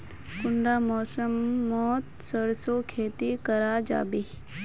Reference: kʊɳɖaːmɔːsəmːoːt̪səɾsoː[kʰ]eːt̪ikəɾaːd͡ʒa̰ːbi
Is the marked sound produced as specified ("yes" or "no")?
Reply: yes